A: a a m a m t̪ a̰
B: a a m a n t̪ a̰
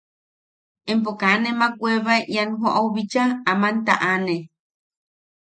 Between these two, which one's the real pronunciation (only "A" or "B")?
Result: B